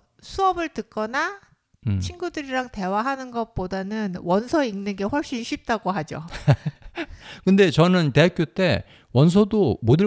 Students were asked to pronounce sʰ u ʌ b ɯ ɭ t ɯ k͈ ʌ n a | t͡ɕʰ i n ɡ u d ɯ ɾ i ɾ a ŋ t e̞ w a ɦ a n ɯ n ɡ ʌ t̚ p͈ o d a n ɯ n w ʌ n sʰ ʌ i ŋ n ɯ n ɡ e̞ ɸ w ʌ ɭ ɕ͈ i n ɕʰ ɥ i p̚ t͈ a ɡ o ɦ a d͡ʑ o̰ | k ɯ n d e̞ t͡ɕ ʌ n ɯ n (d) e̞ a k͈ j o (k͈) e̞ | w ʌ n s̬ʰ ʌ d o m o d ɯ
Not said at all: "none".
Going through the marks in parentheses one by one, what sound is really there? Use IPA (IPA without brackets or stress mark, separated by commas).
t, t͈